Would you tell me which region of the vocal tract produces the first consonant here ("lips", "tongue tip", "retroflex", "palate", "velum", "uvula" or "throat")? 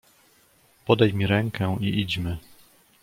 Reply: lips